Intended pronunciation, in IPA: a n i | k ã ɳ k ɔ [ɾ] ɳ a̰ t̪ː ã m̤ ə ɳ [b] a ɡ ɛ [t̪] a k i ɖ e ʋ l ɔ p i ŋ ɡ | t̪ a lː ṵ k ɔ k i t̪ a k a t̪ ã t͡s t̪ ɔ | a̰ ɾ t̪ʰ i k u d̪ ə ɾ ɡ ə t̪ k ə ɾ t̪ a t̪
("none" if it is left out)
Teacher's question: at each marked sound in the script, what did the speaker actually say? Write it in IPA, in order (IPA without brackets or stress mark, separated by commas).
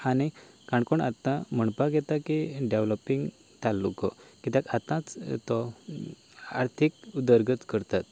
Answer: none, p, t̪